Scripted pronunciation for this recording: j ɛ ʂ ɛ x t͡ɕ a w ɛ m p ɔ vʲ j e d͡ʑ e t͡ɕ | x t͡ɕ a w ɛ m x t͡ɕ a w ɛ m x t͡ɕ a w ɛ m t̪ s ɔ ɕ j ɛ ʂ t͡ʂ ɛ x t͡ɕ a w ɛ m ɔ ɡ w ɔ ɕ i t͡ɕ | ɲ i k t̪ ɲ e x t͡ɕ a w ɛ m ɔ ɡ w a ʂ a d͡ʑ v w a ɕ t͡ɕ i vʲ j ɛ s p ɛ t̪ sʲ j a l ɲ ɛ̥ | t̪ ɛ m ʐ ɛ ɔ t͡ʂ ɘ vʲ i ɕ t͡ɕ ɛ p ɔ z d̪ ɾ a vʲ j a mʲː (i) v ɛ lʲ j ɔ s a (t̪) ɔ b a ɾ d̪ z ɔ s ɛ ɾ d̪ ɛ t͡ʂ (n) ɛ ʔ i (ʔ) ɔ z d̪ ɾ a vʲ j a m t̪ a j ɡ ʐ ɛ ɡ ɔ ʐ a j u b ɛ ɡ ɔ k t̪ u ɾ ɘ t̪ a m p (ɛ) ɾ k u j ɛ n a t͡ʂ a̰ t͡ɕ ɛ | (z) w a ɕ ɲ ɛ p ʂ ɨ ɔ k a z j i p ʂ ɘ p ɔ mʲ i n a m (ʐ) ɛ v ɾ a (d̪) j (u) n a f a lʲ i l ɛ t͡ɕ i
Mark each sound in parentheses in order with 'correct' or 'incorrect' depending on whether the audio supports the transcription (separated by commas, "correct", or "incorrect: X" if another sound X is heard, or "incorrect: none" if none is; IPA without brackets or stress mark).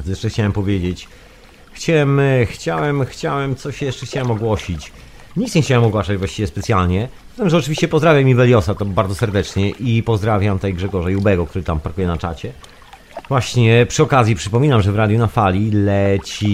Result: correct, correct, incorrect: ɲ, incorrect: p, incorrect: a, incorrect: v, correct, correct, correct